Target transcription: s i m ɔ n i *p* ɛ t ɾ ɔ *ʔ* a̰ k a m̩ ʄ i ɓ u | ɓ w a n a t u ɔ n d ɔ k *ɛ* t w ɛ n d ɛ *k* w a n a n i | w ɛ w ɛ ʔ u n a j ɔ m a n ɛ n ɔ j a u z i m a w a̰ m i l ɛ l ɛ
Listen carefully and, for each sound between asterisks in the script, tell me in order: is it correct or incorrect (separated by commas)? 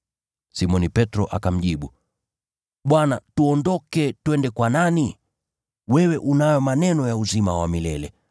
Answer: correct, correct, correct, correct